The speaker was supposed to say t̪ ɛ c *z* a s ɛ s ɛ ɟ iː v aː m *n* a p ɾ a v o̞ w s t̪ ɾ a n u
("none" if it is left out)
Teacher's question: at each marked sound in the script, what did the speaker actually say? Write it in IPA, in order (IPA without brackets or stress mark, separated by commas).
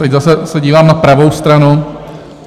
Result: z, n